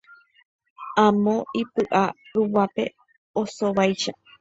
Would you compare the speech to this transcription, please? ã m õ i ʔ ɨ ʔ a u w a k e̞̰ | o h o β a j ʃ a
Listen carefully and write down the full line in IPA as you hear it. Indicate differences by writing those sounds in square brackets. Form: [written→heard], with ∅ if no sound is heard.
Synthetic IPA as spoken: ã m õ i [ʔ→p] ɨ ʔ a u w a [k→p] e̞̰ | o [h→s] o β a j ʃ a